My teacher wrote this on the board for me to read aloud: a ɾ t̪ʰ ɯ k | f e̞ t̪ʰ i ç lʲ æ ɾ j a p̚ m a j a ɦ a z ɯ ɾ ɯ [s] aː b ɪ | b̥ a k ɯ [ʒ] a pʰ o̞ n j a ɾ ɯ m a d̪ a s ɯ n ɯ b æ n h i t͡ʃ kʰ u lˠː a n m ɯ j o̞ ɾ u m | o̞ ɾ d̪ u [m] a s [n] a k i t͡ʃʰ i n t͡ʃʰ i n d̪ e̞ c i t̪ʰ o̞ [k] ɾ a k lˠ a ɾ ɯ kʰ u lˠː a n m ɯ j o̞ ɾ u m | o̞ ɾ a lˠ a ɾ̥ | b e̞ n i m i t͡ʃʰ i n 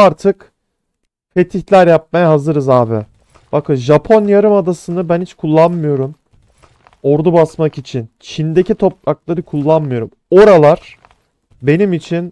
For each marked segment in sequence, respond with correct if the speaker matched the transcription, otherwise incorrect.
incorrect: z, correct, incorrect: b, incorrect: m, incorrect: p

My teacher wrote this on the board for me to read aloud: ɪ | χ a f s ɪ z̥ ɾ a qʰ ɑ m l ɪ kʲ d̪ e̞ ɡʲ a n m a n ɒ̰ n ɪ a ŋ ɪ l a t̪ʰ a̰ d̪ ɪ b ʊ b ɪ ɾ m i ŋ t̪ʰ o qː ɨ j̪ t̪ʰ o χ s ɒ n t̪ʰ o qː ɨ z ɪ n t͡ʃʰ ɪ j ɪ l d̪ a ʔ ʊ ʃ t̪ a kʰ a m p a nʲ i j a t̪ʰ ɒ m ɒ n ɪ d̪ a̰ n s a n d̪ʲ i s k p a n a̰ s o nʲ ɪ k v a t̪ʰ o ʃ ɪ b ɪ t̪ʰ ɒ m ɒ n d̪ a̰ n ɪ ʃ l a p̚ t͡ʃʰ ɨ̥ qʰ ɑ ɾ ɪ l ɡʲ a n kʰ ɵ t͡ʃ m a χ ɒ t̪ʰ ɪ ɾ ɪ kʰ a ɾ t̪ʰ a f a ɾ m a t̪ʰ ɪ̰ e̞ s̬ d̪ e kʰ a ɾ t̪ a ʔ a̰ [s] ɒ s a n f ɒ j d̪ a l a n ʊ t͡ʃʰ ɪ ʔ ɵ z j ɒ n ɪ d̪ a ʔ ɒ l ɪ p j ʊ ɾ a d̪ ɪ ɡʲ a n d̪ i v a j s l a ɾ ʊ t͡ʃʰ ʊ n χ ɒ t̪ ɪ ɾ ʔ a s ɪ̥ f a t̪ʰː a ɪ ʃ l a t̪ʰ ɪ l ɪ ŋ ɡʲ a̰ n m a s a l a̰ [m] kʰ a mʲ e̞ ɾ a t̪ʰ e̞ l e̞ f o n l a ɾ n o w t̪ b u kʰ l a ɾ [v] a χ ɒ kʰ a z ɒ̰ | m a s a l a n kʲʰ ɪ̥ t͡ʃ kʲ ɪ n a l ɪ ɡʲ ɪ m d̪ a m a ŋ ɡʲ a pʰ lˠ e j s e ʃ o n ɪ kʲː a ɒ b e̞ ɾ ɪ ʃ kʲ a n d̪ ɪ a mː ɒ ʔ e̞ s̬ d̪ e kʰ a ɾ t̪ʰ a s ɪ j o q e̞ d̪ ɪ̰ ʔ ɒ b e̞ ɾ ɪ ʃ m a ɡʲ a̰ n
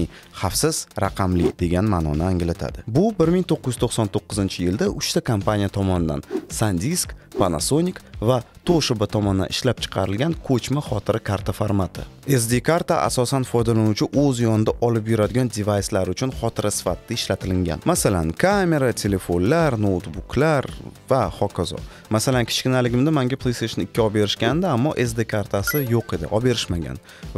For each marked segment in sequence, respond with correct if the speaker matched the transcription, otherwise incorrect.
correct, incorrect: n, correct

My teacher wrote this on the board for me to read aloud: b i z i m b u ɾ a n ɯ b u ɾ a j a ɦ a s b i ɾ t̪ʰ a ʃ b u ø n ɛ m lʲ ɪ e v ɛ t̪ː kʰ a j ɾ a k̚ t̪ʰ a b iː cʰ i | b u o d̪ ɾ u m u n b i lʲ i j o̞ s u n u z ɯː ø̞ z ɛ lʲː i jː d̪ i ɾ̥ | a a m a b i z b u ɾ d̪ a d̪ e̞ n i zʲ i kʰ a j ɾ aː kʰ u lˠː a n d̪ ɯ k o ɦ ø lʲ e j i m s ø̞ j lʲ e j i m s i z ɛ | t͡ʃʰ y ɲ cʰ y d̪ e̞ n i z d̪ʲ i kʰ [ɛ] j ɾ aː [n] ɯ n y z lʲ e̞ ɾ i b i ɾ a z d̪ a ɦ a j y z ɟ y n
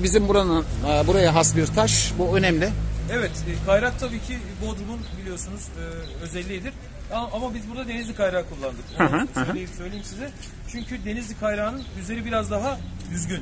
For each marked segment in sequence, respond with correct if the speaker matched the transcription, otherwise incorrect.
incorrect: a, correct

